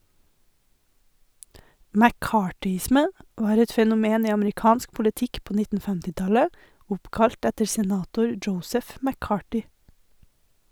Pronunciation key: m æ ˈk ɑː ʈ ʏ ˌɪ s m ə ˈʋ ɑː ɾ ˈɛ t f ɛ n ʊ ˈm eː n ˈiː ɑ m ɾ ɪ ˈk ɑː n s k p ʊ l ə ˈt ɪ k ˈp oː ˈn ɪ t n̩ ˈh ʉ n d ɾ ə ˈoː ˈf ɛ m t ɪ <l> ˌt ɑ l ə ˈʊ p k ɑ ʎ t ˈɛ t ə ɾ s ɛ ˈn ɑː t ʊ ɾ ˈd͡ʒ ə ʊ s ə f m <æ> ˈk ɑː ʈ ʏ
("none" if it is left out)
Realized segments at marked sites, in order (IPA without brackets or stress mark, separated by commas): none, æ